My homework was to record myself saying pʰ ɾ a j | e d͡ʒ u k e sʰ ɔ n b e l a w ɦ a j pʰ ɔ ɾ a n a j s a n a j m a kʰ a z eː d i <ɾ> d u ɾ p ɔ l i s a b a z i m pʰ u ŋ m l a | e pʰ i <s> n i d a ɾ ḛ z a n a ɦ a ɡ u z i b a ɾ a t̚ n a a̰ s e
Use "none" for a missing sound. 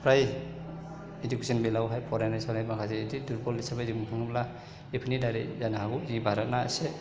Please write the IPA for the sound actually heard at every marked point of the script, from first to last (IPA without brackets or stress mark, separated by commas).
none, none